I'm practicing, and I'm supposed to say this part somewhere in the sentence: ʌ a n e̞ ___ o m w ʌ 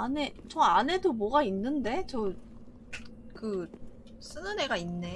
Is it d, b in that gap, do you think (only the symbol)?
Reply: d